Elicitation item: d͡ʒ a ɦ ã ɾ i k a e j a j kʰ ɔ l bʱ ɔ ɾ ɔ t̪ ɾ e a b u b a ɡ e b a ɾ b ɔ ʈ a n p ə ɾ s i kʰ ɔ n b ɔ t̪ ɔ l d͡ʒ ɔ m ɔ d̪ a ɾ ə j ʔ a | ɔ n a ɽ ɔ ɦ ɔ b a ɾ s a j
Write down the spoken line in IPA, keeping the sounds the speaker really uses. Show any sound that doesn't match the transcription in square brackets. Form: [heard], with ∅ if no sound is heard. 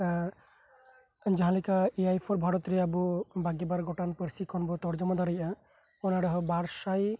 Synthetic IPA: d͡ʒ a ɦ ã [l] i k a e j a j [pʰ] ɔ [ɾ] bʱ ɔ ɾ ɔ t̪ ɾ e a b u b a ɡ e b a ɾ [ɡ] ɔ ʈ a n p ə ɾ s i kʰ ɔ n b ɔ t̪ ɔ [ɾ] d͡ʒ ɔ m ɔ d̪ a ɾ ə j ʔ a | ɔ n a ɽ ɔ ɦ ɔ b a ɾ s a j